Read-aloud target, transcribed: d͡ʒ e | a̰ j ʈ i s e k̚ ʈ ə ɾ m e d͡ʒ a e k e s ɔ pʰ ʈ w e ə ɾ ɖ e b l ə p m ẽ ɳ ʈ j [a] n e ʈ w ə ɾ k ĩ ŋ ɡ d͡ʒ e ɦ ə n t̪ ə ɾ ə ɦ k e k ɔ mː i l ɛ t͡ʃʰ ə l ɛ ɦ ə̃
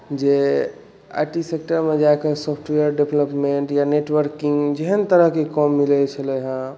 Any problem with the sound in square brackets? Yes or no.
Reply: no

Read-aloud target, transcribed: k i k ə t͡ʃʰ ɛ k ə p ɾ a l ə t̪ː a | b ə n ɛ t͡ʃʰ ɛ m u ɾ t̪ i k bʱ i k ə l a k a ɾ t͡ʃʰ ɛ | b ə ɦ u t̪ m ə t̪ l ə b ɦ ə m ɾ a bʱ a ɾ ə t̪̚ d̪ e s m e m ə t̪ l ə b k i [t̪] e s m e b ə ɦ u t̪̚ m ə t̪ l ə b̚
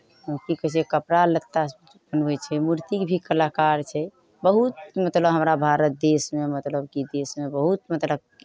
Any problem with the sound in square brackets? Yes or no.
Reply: yes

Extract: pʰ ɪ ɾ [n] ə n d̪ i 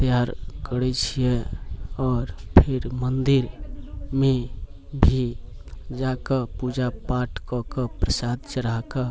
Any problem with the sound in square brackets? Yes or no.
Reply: yes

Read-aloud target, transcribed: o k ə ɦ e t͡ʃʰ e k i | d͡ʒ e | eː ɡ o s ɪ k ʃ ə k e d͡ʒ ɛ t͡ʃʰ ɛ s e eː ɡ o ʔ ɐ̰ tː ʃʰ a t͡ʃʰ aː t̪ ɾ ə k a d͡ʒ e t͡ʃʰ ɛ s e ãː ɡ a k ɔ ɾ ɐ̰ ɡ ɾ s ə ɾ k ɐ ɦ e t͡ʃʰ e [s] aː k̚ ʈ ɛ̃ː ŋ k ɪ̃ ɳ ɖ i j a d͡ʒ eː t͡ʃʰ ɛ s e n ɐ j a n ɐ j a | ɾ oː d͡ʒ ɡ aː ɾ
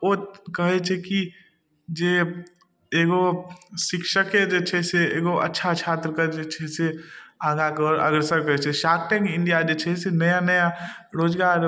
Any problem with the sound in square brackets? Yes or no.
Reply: yes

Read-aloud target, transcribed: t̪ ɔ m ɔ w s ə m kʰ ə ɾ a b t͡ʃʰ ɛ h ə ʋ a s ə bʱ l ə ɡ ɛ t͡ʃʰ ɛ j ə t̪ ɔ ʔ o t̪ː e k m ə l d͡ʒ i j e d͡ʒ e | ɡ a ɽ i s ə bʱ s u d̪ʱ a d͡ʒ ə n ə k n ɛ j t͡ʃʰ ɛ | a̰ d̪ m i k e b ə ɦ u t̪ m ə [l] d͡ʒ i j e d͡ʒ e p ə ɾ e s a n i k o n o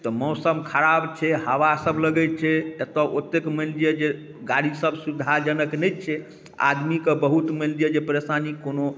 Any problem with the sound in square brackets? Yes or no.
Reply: no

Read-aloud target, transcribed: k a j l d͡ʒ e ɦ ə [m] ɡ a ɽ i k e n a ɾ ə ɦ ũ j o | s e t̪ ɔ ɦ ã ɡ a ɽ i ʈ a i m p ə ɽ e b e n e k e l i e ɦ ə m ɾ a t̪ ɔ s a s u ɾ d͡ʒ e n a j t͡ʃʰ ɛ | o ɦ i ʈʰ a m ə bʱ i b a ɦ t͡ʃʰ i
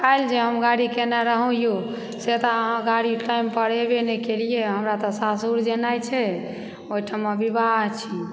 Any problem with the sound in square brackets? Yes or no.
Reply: no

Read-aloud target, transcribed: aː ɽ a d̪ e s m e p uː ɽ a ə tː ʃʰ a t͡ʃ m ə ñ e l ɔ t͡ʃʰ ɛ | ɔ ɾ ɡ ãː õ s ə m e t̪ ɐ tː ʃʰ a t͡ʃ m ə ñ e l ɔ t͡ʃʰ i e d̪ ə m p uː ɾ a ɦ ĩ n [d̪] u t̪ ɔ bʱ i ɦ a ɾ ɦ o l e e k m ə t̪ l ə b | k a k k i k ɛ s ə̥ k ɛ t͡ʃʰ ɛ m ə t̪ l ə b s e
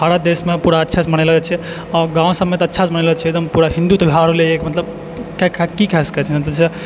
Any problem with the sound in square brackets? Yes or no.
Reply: no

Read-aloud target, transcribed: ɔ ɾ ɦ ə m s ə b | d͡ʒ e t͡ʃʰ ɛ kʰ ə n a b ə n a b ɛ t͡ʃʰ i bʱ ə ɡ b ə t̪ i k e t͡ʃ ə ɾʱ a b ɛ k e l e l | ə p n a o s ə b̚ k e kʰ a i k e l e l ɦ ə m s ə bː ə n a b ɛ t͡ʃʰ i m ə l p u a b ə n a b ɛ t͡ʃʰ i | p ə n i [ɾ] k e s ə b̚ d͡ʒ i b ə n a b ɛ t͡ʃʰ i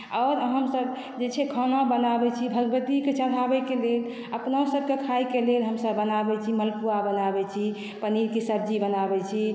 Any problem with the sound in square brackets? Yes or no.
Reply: no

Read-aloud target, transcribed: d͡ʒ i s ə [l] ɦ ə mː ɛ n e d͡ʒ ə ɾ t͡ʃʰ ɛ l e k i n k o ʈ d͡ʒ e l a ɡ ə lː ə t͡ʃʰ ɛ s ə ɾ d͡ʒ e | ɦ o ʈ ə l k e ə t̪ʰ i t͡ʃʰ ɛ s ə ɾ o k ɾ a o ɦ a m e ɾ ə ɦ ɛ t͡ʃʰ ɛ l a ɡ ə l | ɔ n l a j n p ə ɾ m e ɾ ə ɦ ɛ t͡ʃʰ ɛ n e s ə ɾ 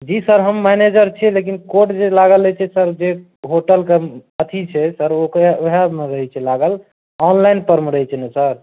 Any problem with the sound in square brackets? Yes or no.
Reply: yes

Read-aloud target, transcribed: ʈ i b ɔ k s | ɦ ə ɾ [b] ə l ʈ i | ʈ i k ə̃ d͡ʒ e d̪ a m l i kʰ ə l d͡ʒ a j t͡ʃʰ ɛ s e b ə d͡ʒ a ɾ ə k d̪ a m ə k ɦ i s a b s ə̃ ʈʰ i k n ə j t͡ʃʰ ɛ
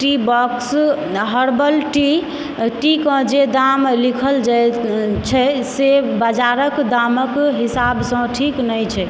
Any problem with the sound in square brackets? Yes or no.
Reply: no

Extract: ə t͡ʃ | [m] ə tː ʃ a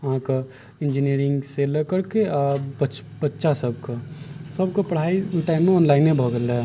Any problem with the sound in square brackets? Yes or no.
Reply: yes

